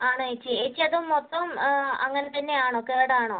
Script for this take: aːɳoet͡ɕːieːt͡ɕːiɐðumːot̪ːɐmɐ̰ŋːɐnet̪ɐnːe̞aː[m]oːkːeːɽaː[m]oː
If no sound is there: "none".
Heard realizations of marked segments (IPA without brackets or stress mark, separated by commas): ɳ, ɳ